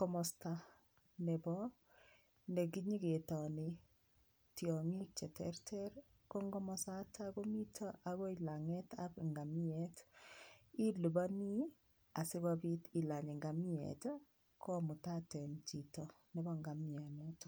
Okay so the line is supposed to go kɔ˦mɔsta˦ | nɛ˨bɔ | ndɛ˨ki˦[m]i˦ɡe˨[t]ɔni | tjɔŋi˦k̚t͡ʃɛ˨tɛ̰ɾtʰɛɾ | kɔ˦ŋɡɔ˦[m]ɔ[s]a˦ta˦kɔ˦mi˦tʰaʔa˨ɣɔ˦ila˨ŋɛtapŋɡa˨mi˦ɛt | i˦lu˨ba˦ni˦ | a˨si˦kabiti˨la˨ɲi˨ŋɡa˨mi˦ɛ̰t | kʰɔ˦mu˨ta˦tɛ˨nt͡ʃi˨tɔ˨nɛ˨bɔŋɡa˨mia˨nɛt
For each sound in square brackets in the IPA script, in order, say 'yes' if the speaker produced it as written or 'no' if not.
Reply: no, yes, yes, yes

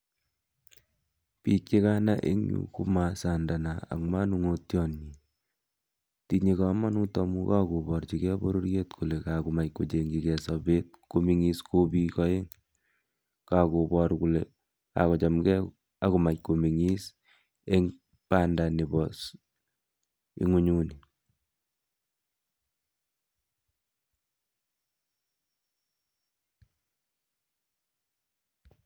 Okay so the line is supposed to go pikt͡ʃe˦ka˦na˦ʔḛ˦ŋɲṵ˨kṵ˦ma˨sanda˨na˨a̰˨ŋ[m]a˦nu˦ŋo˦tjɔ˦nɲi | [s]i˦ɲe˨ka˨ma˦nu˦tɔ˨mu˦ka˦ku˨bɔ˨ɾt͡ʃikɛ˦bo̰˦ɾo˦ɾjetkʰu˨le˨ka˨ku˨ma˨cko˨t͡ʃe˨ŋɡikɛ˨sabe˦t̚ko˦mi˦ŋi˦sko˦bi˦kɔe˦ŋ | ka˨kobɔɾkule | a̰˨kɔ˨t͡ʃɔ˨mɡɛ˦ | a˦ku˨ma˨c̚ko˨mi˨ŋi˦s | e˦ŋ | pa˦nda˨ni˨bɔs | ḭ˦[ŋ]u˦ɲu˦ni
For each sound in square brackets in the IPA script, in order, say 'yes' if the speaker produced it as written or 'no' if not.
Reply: yes, no, yes

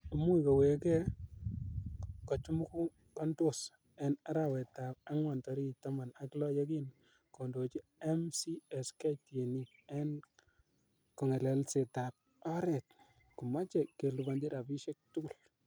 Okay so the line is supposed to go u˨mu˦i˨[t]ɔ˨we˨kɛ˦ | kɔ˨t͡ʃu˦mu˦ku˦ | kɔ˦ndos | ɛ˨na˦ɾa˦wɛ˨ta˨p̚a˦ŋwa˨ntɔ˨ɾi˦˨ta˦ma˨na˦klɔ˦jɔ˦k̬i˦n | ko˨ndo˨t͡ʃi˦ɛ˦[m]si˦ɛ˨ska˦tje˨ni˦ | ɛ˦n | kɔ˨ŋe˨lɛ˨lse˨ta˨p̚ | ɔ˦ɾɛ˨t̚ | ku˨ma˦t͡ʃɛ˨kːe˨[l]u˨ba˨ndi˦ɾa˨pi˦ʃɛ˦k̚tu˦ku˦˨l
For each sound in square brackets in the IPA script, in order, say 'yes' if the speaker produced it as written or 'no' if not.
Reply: no, yes, yes

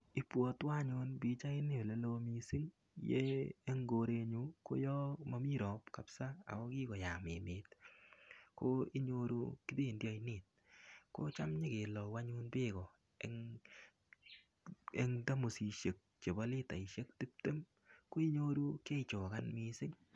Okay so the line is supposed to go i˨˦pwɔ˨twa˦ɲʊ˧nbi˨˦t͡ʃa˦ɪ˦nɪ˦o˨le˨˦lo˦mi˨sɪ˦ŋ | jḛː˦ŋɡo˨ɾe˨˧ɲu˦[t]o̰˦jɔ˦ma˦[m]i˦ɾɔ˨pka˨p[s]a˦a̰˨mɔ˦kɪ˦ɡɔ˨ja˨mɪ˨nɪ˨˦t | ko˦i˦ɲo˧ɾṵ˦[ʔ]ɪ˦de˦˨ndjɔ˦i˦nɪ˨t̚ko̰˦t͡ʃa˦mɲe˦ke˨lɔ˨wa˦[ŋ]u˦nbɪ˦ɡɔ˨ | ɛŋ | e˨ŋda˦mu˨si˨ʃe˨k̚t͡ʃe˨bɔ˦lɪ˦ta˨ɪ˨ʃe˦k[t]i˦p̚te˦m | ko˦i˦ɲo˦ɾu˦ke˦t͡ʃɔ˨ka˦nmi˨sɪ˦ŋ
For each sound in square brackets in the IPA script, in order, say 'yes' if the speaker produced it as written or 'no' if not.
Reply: no, yes, yes, no, no, yes

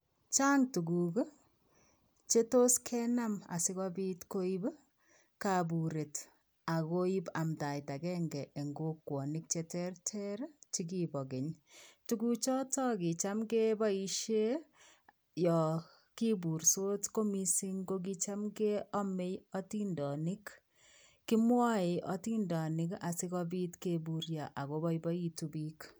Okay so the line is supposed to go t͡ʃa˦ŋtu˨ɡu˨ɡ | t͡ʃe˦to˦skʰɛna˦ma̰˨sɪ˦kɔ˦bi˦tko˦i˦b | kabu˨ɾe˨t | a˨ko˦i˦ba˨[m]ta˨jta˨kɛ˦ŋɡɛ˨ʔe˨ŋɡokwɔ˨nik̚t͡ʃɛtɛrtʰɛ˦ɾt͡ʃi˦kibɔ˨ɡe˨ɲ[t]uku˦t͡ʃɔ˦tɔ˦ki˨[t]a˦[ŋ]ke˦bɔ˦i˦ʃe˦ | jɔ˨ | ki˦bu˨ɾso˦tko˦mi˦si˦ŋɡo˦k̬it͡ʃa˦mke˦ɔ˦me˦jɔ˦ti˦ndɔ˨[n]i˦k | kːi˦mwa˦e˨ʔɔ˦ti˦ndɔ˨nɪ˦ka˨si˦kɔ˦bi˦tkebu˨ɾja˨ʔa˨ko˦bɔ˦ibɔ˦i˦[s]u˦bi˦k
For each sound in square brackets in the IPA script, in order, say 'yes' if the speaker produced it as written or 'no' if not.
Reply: yes, yes, no, no, yes, no

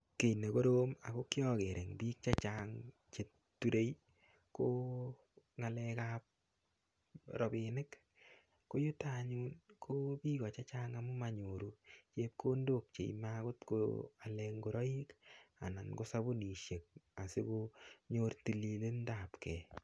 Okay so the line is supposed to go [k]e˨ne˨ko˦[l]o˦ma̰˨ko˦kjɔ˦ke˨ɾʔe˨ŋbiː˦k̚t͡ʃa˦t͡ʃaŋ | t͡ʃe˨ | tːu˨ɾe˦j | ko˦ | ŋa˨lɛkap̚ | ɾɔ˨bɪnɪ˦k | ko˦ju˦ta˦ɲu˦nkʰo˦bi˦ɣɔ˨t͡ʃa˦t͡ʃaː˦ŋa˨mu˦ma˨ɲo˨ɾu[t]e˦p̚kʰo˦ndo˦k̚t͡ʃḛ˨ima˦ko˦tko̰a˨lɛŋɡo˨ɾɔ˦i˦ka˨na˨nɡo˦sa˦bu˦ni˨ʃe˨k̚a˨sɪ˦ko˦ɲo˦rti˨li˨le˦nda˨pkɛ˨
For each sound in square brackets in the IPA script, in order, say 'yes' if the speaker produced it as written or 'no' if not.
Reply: yes, no, no

